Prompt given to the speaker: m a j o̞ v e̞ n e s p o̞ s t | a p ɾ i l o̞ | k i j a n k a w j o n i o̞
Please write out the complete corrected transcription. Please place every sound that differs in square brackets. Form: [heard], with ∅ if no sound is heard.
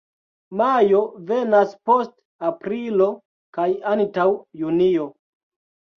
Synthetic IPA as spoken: m a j o̞ v e̞ n [a] s p o̞ s t | a p ɾ i l o̞ | k [a] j a n [t] a w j [u] n i o̞